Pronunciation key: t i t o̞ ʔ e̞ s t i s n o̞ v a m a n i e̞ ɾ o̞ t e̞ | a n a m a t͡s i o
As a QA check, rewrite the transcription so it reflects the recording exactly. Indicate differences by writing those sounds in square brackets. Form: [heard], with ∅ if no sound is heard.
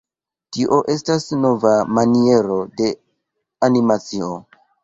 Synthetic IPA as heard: t i [ʔ] o̞ ʔ e̞ s t [a] s n o̞ v a m a n i e̞ ɾ o̞ [d] e̞ | a n [i] m a t͡s i o